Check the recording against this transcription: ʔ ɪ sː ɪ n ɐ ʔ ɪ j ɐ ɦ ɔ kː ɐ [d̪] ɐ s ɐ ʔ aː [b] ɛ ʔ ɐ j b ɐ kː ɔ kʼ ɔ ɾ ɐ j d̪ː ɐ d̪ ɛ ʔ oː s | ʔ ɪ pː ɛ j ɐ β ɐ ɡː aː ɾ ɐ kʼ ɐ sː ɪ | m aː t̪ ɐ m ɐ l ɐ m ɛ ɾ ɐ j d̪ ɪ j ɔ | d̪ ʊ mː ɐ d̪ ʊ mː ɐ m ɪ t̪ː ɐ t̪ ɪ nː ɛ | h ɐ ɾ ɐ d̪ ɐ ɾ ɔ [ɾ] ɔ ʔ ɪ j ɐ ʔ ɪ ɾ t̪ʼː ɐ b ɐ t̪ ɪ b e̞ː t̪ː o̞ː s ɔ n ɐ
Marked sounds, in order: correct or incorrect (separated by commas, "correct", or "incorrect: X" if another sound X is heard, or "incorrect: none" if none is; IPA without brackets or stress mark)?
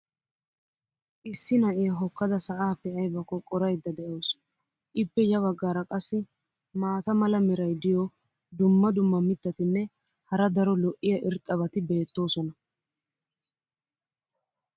correct, incorrect: p, incorrect: l